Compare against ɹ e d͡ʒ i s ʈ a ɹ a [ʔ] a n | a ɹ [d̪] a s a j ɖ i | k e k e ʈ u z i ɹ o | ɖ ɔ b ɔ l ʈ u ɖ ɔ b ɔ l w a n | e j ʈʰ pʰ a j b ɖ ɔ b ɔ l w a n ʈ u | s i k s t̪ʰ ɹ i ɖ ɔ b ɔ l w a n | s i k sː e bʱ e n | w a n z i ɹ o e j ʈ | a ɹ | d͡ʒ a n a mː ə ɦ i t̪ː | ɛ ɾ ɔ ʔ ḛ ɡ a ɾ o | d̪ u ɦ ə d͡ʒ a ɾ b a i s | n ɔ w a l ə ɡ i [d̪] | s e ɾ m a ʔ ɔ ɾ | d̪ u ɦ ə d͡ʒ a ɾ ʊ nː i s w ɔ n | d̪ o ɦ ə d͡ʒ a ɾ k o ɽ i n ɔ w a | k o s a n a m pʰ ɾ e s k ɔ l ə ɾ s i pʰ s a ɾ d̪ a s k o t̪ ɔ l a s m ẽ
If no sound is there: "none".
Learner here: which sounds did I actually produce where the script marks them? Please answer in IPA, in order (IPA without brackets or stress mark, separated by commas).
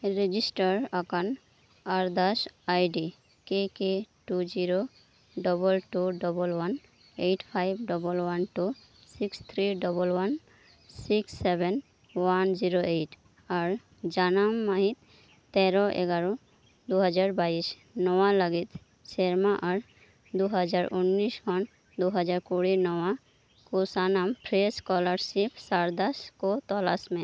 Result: k, d̪, t̪